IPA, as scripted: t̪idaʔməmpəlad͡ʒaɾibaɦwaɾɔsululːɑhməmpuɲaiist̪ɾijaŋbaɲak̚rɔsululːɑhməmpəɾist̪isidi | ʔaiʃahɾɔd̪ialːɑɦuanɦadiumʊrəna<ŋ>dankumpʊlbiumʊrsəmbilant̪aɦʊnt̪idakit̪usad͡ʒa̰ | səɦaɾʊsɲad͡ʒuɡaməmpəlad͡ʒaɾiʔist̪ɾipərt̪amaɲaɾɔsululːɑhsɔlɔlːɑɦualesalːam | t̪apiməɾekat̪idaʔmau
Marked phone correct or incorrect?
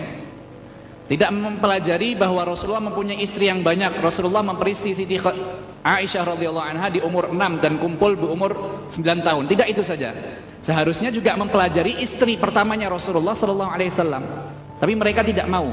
incorrect